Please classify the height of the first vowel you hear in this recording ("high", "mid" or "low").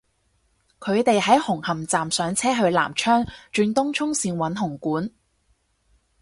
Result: mid